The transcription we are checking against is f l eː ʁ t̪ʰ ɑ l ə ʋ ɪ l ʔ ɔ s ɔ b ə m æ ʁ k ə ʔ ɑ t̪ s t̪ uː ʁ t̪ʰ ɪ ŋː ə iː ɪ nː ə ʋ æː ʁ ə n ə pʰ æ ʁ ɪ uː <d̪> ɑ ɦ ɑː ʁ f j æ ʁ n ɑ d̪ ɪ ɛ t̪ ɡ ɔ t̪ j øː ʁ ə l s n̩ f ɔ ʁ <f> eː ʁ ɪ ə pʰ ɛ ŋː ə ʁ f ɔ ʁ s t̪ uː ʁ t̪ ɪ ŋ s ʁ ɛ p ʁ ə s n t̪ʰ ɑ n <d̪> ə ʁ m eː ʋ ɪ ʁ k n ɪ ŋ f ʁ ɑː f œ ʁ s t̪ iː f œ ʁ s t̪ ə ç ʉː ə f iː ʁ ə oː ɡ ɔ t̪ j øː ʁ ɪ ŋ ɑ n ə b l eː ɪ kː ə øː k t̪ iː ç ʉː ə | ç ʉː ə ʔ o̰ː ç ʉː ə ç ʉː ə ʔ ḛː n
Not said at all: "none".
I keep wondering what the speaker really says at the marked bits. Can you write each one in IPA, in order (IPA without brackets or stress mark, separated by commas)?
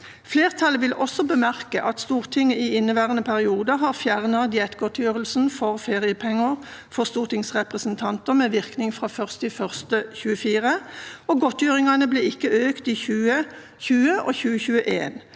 d̪, f, t̪